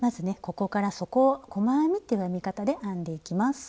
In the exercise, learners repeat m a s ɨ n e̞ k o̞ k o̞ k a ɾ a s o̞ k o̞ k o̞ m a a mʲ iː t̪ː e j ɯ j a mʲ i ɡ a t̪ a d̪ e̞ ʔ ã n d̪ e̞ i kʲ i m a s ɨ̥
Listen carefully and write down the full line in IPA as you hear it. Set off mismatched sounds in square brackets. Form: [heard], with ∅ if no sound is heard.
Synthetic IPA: m a [z] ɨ n e̞ k o̞ k o̞ k a ɾ a s o̞ k o̞ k o̞ m a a mʲ [i] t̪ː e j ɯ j a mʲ i [k] a t̪ a d̪ e̞ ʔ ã n d̪ e̞ i kʲ i m a s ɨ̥